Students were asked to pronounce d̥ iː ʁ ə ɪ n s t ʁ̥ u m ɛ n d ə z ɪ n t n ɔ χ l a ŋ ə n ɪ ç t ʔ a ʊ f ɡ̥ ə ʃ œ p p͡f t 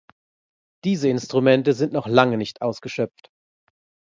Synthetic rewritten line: d̥ iː z ə ɪ n s t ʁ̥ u m ɛ n t ə z ɪ n t n ɔ χ l a ŋ ə n ɪ ç t ʔ a ʊ s ɡ̥ ə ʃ œ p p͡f t